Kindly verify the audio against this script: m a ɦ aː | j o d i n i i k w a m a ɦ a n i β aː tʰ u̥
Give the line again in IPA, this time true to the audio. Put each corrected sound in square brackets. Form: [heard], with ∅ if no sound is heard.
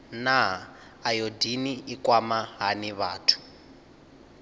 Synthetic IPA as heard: [n] a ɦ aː | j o d i n i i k w a m a ɦ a n i β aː tʰ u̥